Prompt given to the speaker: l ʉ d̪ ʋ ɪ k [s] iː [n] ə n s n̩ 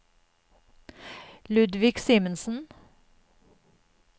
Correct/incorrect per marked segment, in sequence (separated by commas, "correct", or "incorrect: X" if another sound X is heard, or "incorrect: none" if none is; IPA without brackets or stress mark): correct, incorrect: m